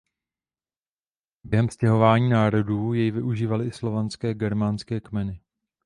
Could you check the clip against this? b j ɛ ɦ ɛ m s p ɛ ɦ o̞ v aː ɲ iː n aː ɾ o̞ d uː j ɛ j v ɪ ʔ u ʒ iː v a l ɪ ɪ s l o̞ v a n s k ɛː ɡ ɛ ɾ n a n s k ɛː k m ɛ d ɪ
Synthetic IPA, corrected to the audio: b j ɛ ɦ ɛ m s c ɛ ɦ o̞ v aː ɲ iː n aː ɾ o̞ d uː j ɛ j v ɪ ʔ u ʒ iː v a l ɪ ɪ s l o̞ v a n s k ɛː ɡ ɛ ɾ m a n s k ɛː k m ɛ n ɪ